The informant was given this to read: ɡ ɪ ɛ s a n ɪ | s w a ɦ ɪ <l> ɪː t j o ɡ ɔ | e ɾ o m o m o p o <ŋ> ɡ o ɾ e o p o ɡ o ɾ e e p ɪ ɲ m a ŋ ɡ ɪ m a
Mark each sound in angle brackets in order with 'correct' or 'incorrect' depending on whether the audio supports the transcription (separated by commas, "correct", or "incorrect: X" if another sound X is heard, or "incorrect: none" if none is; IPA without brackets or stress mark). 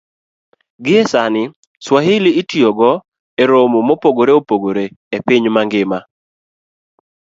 correct, incorrect: none